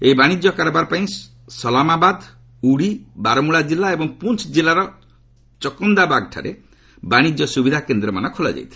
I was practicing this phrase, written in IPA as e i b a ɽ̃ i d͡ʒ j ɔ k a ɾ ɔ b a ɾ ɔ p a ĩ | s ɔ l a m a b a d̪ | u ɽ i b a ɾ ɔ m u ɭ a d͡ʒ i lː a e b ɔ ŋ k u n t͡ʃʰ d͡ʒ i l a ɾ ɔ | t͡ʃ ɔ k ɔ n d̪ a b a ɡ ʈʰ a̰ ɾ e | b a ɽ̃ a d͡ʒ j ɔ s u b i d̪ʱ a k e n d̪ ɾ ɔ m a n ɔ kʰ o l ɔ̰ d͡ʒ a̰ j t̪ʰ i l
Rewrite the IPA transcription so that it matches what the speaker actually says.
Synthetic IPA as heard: e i b a ɽ̃ i d͡ʒ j ɔ k a ɾ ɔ b a ɾ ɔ p a ĩ | s ɔ l a m a b a d̪ | u ɽ i b a ɾ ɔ m u ɭ a d͡ʒ i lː a e b ɔ ŋ p u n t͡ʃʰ d͡ʒ i l a ɾ ɔ | t͡ʃ ɔ k ɔ n d̪ a b a ɡ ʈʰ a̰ ɾ e | b a ɽ̃ i d͡ʒ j ɔ s u b i d̪ʱ a k e n d̪ ɾ ɔ m a n ɔ kʰ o l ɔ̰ d͡ʒ a̰ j t̪ʰ i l